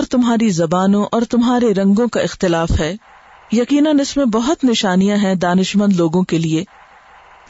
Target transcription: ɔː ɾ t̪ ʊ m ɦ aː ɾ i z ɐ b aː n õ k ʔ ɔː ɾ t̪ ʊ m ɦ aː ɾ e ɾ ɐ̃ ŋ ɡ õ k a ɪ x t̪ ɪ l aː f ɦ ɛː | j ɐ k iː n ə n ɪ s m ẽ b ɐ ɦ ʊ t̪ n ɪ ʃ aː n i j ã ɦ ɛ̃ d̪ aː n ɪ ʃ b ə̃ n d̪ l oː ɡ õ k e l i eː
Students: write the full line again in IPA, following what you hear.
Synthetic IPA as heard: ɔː ɾ t̪ ʊ m ɦ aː ɾ i z ɐ b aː n õ ʔ ɔː ɾ t̪ ʊ m ɦ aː ɾ e ɾ ɐ̃ ŋ ɡ õ k a ɪ x t̪ ɪ l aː f ɦ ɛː | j ɐ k iː n ə n ɪ s m ẽ b ɐ ɦ ʊ t̪ n ɪ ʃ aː n i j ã ɦ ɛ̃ d̪ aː n ɪ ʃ m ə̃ n d̪ l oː ɡ õ k e l i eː